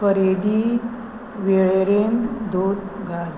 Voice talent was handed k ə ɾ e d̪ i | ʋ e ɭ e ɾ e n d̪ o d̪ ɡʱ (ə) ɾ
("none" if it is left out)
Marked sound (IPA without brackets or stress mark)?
a